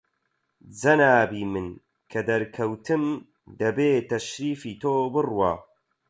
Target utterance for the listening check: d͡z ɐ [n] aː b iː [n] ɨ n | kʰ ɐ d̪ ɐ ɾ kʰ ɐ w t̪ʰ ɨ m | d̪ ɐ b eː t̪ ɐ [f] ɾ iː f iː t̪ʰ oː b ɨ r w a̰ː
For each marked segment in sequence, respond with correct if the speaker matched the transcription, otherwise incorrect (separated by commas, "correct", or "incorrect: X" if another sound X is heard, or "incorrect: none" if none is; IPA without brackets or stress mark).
correct, incorrect: m, incorrect: ʃ